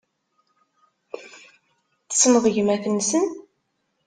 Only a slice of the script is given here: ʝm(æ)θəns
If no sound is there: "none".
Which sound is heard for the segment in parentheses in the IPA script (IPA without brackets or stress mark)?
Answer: æ